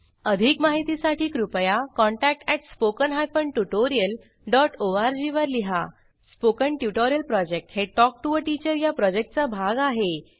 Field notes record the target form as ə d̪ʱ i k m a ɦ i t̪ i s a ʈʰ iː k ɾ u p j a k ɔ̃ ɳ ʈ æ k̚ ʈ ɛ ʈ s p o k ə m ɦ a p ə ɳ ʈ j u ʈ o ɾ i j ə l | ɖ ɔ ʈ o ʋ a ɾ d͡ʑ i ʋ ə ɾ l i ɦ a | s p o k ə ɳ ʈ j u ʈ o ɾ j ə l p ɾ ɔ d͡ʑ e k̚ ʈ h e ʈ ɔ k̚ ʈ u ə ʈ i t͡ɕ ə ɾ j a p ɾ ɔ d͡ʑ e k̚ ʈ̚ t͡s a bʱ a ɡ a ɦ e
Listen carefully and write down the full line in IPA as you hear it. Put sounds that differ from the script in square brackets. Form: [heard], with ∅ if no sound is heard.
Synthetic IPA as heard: ə d̪ʱ i k m a ɦ i t̪ i s a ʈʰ iː k ɾ u p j a k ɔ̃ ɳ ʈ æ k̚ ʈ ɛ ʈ s p o k ə [n] ɦ a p ə ɳ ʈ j u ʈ o ɾ i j ə l | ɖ ɔ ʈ o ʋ a ɾ d͡ʑ i ʋ ə ɾ l i ɦ a | s p o k ə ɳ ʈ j u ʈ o ɾ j ə l p ɾ ɔ d͡ʑ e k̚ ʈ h e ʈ ɔ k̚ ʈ u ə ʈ i t͡ɕ ə ɾ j a p ɾ ɔ d͡ʑ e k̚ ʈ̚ t͡s a bʱ a ɡ a ɦ e